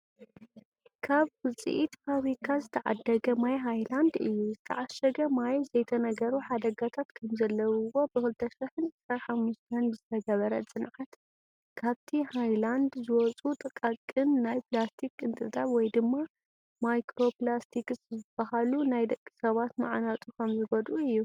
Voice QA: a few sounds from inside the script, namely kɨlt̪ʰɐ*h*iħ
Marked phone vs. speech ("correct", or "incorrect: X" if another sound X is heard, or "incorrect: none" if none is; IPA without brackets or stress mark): incorrect: ʃ